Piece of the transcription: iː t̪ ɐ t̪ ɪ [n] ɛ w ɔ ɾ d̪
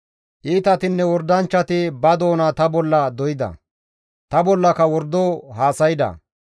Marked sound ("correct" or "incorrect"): incorrect